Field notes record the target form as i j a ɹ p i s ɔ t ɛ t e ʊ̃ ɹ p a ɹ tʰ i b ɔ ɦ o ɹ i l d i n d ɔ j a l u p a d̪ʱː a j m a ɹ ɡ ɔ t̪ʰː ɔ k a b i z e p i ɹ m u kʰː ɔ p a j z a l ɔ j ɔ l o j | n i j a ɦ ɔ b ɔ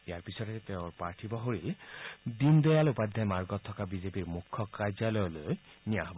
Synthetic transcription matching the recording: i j a ɹ p i s ɔ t ɛ t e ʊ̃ ɹ p a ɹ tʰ i b ɔ ɦ o ɹ i l d i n d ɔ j a l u p a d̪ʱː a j m a ɹ ɡ ɔ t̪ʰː ɔ k a b i z e p i ɹ m u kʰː ɔ k a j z a l ɔ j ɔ l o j | n i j a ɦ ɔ b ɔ

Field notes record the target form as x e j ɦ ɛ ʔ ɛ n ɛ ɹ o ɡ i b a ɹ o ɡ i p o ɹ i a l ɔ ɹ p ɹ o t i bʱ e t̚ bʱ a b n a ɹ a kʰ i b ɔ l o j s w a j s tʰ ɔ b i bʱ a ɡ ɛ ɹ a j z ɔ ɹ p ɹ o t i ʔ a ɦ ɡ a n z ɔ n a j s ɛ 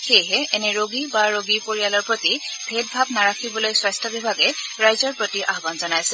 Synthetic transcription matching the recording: x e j ɦ ɛ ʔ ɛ n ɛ ɹ o ɡ i b a ɹ o ɡ i p o ɹ i a l ɔ ɹ p ɹ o t i bʱ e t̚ bʱ a b n a ɹ a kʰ i b ɔ l o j s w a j s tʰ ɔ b i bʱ a ɡ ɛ ɹ a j z ɔ ɹ p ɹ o t i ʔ a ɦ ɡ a n z ɔ n a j s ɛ

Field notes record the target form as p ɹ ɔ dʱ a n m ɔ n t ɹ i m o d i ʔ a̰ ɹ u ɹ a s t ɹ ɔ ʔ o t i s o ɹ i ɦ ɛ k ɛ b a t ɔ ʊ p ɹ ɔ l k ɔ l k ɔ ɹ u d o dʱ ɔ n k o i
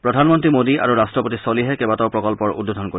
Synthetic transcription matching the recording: p ɹ ɔ dʱ a n m ɔ n t ɹ i m o d i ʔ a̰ ɹ u ɹ a s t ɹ ɔ p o t i s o l i ɦ ɛ k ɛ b a t ɔ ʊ p ɹ ɔ k ɔ l p ɔ ɹ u d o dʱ ɔ n k o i

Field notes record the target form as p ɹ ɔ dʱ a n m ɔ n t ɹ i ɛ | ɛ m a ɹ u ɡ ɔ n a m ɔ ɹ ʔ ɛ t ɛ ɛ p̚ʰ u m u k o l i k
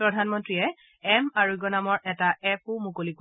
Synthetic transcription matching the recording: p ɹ ɔ dʱ a n m ɔ n t ɹ i ɛ | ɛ m a ɹ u ɡ ɔ n a m ɔ ɹ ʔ ɛ t a ɛ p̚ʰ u m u k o l i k

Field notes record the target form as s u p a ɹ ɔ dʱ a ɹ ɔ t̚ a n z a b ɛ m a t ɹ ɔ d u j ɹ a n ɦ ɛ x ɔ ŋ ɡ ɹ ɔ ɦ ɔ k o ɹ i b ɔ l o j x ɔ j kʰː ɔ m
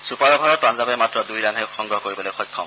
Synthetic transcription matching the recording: s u p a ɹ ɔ bʱ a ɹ ɔ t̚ a n z a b ɛ m a t ɹ ɔ d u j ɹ a n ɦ ɛ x ɔ ŋ ɡ ɹ ɔ ɦ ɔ k o ɹ i b ɔ l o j x ɔ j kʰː ɔ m

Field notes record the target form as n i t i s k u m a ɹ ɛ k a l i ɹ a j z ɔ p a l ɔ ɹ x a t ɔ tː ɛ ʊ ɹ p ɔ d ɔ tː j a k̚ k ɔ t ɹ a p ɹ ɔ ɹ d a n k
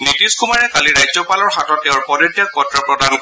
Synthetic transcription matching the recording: n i t i s k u m a ɹ ɛ k a l i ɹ a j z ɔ p a l ɔ ɹ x a t ɔ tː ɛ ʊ ɹ p ɔ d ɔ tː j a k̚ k ɔ t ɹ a p ɹ ɔ d a n k

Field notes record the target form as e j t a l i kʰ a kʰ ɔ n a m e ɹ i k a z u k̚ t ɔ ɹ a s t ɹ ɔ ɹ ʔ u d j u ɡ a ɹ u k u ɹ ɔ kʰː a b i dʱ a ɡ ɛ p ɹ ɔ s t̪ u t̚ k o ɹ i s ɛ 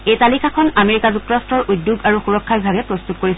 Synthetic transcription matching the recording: e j t a l i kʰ a kʰ ɔ n a m e ɹ i k a z u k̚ t ɔ ɹ a s t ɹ ɔ ɹ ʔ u d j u ɡ a ɹ u x u ɹ ɔ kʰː a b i bʱ a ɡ ɛ p ɹ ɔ s t̪ u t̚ k o ɹ i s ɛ

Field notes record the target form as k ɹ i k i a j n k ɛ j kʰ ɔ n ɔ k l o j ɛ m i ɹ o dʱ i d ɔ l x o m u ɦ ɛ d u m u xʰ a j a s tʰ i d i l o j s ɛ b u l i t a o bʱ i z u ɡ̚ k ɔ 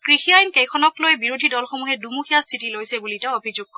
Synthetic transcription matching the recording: k ɹ i x i a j n k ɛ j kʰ ɔ n ɔ k l o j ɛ b i ɹ o dʱ i d ɔ l x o m u ɦ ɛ d u m u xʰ i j a s tʰ i t i l o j s ɛ b u l i t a o bʱ i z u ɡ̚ k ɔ

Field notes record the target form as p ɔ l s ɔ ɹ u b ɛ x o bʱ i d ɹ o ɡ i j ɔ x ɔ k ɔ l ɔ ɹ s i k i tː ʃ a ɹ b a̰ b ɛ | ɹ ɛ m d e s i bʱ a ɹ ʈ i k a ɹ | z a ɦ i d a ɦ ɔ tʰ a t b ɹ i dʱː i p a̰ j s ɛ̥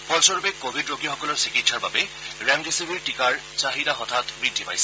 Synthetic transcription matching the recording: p ɔ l s ɔ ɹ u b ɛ k o bʱ i d ɹ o ɡ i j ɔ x ɔ k ɔ l ɔ ɹ s i k i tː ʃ a ɹ b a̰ b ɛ | ɹ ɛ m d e s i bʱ i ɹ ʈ i k a ɹ | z a ɦ i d a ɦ ɔ tʰ a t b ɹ i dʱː i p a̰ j s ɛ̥

